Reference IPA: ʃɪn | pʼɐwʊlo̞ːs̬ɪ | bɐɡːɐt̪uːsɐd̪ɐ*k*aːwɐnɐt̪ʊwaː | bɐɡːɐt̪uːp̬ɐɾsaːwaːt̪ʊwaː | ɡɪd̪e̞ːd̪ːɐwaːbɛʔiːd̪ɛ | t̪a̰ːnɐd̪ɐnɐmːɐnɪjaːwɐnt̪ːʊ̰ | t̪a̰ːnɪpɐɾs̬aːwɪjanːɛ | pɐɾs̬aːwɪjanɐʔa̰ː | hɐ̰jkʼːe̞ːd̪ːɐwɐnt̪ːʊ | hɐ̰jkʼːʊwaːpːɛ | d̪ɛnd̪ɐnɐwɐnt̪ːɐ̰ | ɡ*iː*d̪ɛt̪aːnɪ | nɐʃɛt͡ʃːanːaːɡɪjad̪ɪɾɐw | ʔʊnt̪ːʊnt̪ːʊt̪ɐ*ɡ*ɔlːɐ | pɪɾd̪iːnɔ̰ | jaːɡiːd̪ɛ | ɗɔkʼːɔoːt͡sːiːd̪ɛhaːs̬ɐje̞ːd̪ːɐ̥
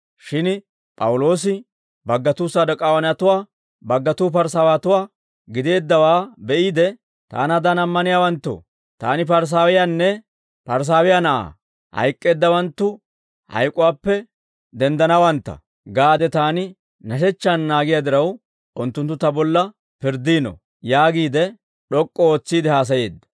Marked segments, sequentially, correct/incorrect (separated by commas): incorrect, incorrect, incorrect